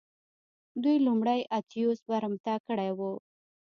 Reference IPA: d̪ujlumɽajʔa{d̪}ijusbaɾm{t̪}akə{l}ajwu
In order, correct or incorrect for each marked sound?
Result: incorrect: t̪, correct, incorrect: ɽ

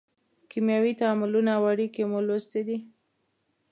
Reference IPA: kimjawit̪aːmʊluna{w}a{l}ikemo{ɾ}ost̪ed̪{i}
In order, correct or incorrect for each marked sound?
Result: correct, incorrect: ɽ, incorrect: l, correct

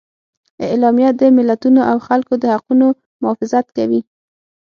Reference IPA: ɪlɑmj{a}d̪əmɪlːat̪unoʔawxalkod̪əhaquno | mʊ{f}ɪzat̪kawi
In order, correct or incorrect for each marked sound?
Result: correct, correct

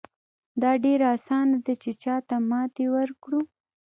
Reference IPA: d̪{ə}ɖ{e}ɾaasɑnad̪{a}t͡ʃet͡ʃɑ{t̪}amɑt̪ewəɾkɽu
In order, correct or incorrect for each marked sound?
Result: incorrect: ɑ, correct, correct, correct

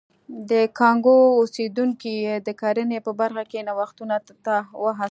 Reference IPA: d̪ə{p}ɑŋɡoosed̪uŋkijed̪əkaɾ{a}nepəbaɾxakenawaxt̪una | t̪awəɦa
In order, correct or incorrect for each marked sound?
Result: incorrect: k, incorrect: ə

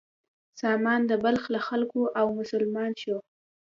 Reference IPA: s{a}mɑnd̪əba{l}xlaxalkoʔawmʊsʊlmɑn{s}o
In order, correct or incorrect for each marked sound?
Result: incorrect: ɑ, correct, incorrect: ʃ

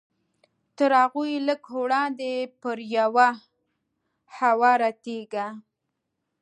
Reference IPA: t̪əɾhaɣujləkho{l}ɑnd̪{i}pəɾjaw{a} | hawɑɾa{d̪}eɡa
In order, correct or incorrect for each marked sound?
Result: incorrect: ɽ, incorrect: e, correct, incorrect: t̪

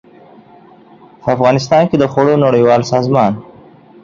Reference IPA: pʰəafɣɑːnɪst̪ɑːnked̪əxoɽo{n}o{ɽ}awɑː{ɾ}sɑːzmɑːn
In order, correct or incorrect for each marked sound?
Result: correct, correct, incorrect: l

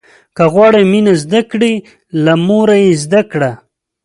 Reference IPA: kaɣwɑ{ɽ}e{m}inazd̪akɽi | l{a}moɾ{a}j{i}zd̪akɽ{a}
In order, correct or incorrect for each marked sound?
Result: correct, correct, correct, correct, incorrect: e, correct

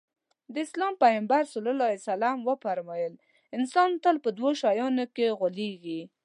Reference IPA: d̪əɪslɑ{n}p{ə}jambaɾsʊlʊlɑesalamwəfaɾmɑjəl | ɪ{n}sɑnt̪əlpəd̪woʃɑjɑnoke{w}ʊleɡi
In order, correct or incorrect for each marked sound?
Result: incorrect: m, incorrect: a, correct, incorrect: ɣ

